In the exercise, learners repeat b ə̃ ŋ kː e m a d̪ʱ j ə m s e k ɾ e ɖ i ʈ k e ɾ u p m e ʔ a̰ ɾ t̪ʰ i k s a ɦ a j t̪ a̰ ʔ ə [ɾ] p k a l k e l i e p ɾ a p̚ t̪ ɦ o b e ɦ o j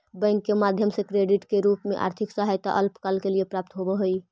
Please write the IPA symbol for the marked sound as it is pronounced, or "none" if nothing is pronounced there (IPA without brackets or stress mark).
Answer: l